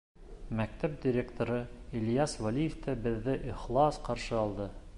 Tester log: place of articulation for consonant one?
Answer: labial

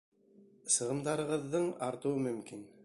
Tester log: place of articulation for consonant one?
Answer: alveolar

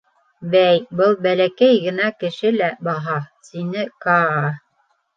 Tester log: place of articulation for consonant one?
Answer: labial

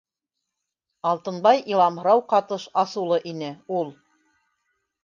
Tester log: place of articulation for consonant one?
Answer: alveolar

